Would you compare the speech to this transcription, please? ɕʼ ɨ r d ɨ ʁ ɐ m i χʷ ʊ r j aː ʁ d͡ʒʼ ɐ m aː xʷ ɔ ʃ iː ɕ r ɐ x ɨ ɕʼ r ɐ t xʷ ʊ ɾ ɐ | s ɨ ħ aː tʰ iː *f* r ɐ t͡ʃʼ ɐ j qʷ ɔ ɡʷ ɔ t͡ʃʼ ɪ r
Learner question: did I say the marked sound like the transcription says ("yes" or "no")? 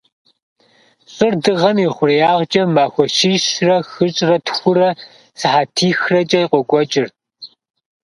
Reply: no